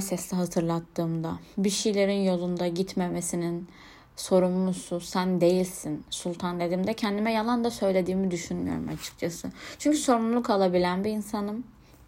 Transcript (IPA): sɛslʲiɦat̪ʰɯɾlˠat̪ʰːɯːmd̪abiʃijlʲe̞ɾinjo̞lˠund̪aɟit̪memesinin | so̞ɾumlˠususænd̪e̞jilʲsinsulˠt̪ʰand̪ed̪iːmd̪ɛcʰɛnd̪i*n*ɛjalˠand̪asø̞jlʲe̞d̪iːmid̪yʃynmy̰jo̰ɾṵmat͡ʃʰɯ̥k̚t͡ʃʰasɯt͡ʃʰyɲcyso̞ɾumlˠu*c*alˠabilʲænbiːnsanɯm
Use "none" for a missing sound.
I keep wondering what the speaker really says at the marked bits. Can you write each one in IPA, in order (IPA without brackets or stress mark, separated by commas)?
m, k